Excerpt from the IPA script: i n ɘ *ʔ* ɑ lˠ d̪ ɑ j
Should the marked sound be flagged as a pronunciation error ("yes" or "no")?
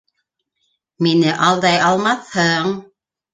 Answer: no